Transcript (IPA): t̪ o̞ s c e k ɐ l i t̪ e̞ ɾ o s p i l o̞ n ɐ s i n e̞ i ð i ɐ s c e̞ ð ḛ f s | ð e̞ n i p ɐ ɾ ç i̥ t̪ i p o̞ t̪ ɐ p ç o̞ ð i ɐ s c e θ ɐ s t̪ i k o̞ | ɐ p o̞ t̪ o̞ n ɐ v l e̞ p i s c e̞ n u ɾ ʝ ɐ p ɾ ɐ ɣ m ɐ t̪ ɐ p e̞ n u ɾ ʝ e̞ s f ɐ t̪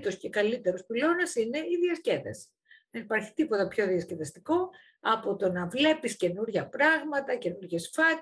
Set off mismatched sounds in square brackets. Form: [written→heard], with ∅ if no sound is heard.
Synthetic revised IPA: t̪ o̞ s c e k ɐ l i t̪ e̞ ɾ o s p i l o̞ n ɐ s i n e̞ i ð i ɐ s c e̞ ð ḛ [f→∅] s | ð e̞ n i p ɐ ɾ ç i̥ t̪ i p o̞ t̪ ɐ p ç o̞ ð i ɐ s c e [θ→ð] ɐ s t̪ i k o̞ | ɐ p o̞ t̪ o̞ n ɐ v l e̞ p i s c e̞ n u ɾ ʝ ɐ p ɾ ɐ ɣ m ɐ t̪ ɐ [p→c] e̞ n u ɾ ʝ e̞ s f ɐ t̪